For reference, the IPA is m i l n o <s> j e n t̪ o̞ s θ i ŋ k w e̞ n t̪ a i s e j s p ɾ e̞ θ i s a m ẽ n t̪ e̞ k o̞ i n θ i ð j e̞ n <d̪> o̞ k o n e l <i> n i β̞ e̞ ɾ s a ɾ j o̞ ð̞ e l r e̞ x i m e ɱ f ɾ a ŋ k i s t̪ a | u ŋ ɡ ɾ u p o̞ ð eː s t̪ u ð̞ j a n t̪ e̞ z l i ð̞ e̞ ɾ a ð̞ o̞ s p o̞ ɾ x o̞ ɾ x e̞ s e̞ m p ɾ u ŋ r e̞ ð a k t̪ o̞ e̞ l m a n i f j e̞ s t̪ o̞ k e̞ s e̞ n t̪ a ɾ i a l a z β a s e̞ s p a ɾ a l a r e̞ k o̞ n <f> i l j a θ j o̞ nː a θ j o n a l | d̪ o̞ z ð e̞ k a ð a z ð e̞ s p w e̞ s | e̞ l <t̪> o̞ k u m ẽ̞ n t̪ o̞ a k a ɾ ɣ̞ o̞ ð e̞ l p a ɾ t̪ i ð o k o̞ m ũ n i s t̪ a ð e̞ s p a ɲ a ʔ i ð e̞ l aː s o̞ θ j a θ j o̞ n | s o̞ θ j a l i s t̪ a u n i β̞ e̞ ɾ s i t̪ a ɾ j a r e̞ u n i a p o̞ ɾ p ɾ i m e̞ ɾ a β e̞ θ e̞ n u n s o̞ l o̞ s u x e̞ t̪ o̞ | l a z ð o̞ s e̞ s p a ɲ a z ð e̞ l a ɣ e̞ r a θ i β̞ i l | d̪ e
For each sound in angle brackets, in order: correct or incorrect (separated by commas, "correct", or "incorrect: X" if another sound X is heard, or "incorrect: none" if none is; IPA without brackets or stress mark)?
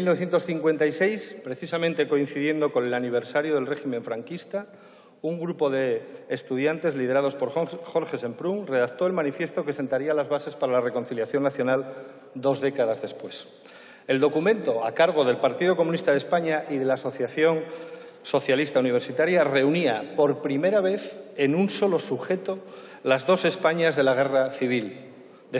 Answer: incorrect: θ, correct, incorrect: a, incorrect: θ, incorrect: d̪